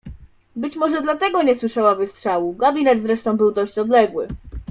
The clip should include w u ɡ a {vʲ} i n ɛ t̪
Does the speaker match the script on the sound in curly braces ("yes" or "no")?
no